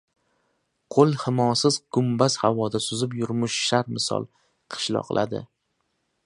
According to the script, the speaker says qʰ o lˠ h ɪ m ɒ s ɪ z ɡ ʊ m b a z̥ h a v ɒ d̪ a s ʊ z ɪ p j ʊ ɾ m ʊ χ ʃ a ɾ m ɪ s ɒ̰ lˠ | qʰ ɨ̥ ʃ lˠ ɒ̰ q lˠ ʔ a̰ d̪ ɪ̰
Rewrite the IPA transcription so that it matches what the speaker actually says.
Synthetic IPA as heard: qʰ o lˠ h ɪ m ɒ s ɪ z ɡ ʊ m b a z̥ h a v ɒ d̪ a s ʊ z ɪ p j ʊ ɾ m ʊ ʃ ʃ a ɾ m ɪ s ɒ̰ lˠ | qʰ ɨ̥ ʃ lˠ ɒ̰ q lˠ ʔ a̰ d̪ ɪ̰